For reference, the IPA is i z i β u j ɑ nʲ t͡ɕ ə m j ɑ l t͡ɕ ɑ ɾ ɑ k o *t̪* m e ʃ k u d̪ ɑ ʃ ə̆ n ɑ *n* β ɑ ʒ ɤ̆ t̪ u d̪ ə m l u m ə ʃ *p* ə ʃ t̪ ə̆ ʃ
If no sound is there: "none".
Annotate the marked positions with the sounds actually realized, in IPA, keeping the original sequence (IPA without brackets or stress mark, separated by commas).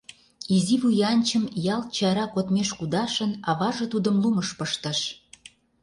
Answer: t̪, none, p